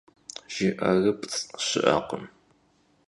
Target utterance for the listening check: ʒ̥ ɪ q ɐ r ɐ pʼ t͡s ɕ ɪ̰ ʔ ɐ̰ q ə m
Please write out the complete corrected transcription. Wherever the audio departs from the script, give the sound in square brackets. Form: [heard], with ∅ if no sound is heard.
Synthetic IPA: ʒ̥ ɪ [ʔ] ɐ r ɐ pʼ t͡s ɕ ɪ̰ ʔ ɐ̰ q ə m